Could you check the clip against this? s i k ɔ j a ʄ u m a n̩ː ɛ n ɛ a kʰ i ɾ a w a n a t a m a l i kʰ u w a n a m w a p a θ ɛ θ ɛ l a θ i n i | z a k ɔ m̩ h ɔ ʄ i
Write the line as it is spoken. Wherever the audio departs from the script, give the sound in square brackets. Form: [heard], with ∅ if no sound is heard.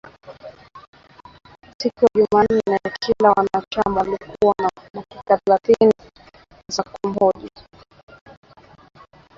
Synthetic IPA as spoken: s i k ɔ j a ʄ u m a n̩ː ɛ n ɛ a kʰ i [l] a w a n a [t͡ʃ] a m a l i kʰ u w a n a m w a [k] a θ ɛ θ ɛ l a θ i n i | z a k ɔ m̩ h ɔ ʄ i

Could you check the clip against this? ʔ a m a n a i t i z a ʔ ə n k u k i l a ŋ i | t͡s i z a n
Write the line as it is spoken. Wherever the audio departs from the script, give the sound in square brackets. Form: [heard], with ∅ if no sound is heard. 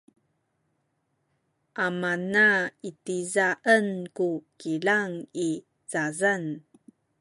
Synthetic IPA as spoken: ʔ a m a n a i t i z a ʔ ə n k u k i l a ŋ i | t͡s [a] z a n

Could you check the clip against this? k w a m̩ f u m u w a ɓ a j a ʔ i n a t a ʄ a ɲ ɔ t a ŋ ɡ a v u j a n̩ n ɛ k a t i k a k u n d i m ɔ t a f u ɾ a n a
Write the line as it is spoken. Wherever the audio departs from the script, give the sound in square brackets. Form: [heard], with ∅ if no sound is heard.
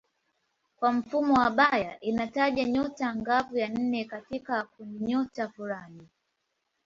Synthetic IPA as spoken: k w a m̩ f u m [ɔ] w a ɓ a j a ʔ i n a t a ʄ a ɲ ɔ t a ŋ ɡ a v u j a n̩ n ɛ k a t i k a k u n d i [ɲ] ɔ t a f u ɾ a n [i]

